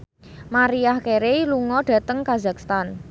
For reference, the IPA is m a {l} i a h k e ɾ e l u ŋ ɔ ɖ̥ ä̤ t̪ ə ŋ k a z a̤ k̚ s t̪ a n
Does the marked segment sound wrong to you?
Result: yes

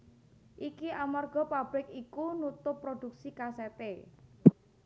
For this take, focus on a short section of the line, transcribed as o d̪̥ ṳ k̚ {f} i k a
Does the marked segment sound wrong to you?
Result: yes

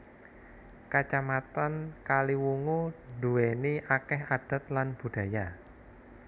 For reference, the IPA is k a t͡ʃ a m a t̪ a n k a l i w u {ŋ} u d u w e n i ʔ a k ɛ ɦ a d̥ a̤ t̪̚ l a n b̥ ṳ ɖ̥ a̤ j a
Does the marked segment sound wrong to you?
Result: no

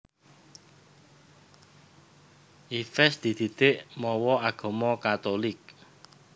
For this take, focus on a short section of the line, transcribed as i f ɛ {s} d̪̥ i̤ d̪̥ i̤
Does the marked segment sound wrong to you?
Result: no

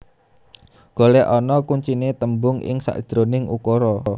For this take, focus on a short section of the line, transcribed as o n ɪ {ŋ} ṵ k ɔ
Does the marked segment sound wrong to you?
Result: no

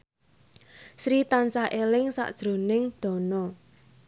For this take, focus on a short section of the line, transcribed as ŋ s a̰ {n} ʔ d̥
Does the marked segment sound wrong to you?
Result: yes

